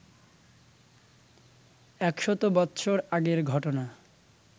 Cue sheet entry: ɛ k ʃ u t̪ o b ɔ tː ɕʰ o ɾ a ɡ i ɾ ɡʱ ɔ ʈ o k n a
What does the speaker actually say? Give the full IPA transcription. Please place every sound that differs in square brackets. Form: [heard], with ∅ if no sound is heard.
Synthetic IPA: ɛ k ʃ [ɔ] t̪ o b ɔ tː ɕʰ o ɾ a ɡ [e] ɾ ɡʱ ɔ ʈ o [∅] n a